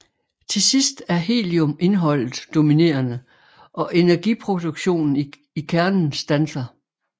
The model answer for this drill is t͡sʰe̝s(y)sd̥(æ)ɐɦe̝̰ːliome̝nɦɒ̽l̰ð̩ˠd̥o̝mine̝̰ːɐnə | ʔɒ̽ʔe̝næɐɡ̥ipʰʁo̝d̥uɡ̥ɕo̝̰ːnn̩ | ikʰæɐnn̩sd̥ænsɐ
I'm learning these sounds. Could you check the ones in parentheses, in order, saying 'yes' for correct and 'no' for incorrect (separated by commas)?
no, yes